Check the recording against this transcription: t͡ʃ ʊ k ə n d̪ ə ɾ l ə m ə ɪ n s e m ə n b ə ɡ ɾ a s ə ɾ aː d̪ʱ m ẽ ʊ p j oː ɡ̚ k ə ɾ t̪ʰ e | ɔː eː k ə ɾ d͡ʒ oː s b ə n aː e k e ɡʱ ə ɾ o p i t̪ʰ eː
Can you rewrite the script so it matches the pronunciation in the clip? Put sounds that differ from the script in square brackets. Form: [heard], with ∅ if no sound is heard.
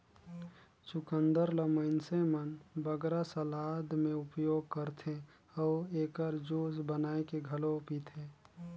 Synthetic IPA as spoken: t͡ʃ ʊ k ə n d̪ ə ɾ l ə m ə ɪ n s e m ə n b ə ɡ ɾ a s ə [l] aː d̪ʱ m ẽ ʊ p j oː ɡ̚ k ə ɾ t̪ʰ e | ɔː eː k ə ɾ d͡ʒ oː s b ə n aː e k e ɡʱ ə [l] o p i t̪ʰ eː

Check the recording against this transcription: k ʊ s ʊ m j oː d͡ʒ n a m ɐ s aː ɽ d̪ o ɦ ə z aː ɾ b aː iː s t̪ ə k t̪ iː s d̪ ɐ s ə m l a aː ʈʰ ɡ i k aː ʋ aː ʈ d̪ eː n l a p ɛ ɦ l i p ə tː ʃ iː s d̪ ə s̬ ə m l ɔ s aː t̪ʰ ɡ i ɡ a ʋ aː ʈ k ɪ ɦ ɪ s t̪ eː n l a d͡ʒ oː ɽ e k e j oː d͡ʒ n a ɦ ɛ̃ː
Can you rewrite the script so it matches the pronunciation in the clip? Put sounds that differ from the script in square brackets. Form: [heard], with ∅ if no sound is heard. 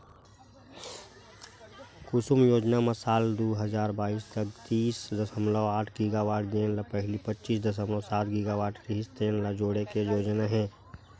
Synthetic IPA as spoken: k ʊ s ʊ m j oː d͡ʒ n a m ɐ s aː [l] d̪ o ɦ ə z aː ɾ b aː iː s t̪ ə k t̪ iː s d̪ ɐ s ə m l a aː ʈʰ ɡ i [ɡ] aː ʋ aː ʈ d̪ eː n l a p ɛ ɦ l i p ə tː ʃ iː s d̪ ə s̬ ə m l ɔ s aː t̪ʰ ɡ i ɡ a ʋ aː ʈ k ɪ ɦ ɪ s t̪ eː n l a d͡ʒ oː ɽ e k e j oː d͡ʒ n a ɦ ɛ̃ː

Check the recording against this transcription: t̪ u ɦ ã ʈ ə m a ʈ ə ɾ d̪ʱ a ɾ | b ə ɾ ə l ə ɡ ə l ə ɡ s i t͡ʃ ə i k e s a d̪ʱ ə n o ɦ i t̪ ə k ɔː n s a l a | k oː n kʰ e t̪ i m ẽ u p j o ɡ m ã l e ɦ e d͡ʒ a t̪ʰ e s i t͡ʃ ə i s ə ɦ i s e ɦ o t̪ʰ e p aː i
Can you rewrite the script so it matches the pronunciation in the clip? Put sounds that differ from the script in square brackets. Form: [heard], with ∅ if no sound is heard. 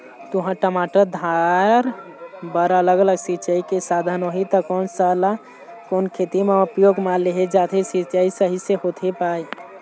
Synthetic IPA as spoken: t̪ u ɦ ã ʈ ə m a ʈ ə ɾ d̪ʱ a ɾ | b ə ɾ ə l ə ɡ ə l ə ɡ s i t͡ʃ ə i k e s a d̪ʱ ə n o ɦ i t̪ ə k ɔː n s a l a | k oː n kʰ e t̪ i m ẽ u p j o ɡ m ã l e ɦ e d͡ʒ a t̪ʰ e s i t͡ʃ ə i s ə ɦ i s e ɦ o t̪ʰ e p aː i

